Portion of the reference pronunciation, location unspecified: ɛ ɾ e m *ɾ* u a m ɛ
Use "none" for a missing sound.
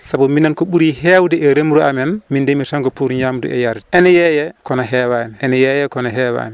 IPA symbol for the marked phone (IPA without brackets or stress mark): ɾ